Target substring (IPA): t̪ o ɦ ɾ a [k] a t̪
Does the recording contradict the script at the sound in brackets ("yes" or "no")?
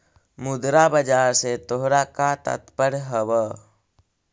no